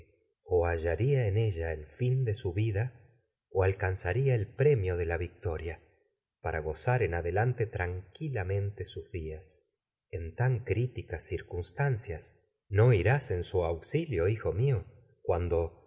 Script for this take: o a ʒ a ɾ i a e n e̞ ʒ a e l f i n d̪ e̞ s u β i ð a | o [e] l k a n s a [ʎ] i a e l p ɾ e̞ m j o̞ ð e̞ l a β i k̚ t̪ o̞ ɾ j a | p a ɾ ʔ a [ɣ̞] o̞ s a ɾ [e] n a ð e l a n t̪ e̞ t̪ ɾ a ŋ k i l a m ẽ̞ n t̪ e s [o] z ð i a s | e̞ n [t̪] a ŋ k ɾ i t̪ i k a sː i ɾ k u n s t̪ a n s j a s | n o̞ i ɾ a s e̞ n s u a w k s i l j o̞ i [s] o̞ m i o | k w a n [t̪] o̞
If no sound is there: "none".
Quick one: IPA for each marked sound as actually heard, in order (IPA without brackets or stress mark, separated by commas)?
a, ɾ, ɣ̞, e, u, t̪, x, d̪